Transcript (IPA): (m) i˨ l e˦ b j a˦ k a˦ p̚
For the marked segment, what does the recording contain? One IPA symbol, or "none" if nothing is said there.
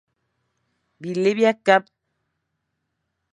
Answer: b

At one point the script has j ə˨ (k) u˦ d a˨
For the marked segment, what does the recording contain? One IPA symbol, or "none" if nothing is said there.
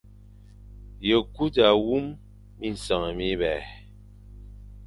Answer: k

